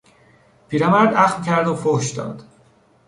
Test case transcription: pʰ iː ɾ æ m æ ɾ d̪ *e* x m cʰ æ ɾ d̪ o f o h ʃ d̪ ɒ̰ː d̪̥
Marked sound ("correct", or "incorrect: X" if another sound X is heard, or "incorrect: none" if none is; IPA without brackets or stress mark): incorrect: æ